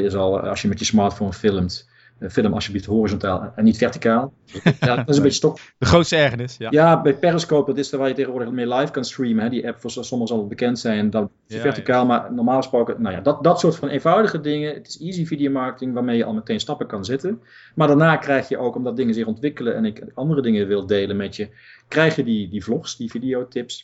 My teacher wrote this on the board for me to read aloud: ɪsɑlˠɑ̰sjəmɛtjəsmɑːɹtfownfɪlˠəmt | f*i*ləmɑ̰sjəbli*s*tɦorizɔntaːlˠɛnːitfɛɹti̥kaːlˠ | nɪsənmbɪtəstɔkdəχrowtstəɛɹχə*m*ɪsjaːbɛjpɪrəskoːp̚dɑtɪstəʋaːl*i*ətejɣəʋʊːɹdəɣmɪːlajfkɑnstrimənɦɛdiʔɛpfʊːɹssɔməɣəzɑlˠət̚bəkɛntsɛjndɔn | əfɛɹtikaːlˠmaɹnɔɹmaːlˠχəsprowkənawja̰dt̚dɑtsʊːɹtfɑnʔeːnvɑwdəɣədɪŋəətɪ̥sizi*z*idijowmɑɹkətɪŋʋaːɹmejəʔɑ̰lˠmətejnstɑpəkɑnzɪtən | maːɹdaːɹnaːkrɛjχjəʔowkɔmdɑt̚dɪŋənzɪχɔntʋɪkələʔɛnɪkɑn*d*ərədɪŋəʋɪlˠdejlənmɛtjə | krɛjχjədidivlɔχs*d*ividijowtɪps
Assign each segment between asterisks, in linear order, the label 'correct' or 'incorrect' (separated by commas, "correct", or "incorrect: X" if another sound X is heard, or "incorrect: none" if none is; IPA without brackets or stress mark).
incorrect: ɪ, incorrect: f, incorrect: n, incorrect: j, incorrect: v, correct, correct